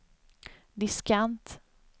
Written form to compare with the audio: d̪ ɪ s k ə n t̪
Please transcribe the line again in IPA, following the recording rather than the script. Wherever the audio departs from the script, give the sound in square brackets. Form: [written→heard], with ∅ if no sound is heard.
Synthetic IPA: d̪ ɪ s k [ə→a] n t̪